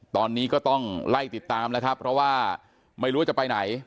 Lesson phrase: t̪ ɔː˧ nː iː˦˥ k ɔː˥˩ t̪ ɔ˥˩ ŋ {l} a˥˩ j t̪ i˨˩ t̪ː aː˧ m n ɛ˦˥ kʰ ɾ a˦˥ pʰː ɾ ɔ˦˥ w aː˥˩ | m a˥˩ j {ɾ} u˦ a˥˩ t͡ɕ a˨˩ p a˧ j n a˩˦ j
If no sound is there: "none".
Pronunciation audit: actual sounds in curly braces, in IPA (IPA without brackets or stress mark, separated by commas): l, ɾ